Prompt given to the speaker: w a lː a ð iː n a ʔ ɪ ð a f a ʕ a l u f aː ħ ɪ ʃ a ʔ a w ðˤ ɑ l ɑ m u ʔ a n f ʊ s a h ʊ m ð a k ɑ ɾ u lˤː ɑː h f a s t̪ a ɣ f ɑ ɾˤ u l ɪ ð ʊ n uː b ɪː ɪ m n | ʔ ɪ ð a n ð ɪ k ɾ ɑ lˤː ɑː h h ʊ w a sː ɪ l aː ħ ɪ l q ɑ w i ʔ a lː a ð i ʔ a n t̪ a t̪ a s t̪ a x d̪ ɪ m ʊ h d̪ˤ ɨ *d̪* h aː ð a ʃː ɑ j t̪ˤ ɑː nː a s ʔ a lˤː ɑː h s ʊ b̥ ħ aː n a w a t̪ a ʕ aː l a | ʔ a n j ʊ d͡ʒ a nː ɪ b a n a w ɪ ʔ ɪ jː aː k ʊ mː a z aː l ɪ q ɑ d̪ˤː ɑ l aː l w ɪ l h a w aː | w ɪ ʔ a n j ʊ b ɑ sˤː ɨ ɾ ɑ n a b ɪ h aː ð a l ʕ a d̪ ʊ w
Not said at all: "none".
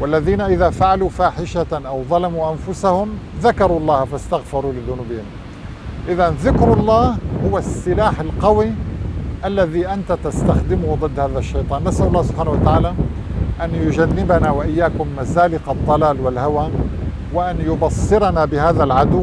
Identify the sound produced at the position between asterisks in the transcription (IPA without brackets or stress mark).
d̪ː